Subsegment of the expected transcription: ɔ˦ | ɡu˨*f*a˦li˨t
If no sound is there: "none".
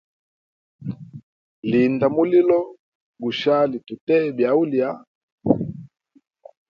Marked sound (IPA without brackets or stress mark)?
ʃ